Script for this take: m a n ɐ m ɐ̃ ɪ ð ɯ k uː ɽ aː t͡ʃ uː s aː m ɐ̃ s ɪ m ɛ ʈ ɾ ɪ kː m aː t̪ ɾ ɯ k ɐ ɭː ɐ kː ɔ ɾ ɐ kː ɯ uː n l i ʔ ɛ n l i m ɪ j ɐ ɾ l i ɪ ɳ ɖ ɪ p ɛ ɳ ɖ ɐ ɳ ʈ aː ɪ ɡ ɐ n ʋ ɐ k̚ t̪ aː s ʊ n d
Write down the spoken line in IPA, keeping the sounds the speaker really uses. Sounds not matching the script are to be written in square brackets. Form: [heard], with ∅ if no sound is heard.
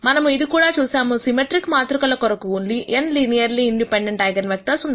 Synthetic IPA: m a n ɐ m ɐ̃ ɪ ð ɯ k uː ɽ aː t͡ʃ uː s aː m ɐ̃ s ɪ m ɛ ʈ ɾ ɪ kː m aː t̪ ɾ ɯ k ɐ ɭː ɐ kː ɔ ɾ ɐ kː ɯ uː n l i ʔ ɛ n l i [n] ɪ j ɐ ɾ l i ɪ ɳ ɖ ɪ p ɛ ɳ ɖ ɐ ɳ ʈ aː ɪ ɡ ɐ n ʋ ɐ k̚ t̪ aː s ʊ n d